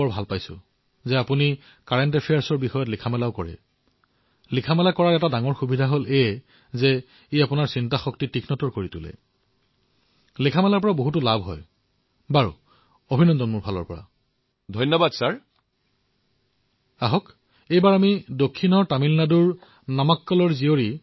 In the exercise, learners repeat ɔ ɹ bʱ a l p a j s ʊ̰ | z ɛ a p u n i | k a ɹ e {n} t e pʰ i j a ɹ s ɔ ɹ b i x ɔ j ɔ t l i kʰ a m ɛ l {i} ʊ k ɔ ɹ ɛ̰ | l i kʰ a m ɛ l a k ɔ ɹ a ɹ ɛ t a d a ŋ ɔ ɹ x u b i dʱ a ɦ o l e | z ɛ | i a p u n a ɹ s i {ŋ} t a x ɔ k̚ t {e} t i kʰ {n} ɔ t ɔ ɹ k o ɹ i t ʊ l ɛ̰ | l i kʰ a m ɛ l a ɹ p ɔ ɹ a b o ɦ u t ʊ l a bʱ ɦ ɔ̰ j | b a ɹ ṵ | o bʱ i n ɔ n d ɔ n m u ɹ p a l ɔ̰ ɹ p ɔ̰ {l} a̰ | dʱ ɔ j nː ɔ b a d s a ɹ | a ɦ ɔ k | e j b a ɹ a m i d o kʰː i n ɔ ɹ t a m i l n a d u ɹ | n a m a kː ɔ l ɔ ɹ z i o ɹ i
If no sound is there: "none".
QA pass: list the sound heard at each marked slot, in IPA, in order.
n, a, n, i, n, ɹ

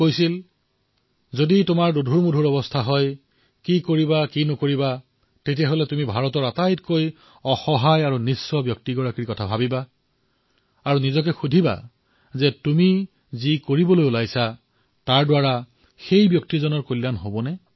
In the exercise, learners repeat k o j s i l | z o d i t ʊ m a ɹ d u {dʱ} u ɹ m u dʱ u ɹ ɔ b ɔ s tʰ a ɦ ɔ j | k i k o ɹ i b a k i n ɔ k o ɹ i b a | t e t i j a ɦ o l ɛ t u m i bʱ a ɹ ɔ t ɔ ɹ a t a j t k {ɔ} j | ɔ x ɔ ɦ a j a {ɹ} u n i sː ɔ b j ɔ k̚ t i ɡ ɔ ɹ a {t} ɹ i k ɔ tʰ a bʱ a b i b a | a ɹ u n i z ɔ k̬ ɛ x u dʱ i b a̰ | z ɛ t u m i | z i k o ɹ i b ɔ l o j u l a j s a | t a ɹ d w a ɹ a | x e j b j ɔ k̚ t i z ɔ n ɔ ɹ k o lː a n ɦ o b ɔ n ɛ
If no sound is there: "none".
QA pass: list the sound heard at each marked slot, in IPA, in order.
dʱ, o, ɹ, k

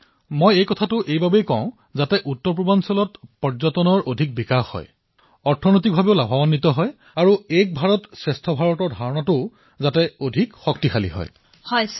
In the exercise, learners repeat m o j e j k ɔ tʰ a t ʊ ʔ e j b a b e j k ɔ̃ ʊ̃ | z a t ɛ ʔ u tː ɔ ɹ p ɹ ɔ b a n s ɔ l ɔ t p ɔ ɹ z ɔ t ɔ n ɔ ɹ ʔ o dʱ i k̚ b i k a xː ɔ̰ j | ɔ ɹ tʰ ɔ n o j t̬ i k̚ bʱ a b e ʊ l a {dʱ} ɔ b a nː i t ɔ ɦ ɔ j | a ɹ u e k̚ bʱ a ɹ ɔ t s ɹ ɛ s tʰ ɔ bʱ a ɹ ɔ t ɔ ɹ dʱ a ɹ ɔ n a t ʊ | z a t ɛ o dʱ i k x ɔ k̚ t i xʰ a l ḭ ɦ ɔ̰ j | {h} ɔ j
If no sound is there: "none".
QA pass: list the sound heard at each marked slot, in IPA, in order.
bʱ, h

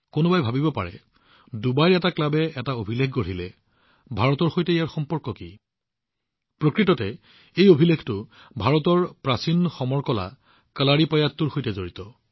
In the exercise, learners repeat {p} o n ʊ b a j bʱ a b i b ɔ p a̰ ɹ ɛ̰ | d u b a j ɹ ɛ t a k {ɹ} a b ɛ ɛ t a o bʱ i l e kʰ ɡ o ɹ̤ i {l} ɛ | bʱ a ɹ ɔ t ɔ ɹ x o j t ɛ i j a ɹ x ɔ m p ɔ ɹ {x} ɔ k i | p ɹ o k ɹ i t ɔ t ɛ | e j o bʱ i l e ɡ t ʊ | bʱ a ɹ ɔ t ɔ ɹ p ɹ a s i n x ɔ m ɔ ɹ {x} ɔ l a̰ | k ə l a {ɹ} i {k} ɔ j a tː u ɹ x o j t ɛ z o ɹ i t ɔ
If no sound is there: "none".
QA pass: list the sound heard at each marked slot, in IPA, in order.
k, l, l, k, k, ɹ, p

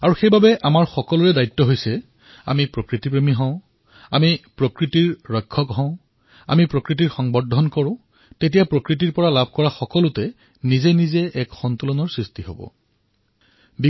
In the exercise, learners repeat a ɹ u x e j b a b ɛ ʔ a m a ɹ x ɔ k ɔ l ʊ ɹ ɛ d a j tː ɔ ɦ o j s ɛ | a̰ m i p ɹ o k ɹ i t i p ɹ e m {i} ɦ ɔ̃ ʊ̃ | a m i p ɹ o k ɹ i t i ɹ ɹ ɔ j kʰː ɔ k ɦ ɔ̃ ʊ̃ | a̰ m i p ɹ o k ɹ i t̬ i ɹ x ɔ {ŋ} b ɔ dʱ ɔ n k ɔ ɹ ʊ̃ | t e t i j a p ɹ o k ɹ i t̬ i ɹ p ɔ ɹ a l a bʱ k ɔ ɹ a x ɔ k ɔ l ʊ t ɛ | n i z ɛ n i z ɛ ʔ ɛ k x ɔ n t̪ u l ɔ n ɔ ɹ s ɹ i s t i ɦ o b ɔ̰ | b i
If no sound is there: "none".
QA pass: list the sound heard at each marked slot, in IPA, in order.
i, ŋ

